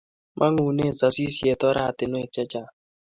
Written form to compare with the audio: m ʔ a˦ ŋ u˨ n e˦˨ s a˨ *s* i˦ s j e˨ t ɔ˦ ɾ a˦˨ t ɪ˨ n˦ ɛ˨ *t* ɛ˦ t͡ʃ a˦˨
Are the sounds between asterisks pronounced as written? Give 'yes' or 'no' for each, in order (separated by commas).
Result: yes, no